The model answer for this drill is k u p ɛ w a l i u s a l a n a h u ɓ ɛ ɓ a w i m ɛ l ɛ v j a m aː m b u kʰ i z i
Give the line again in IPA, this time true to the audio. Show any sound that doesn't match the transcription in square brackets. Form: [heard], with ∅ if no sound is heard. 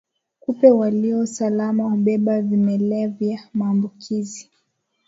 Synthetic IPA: k u p ɛ w a l i [ɔ] s a l a [m] a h u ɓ ɛ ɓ a [v] i m ɛ l ɛ v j a m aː m b u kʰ i z i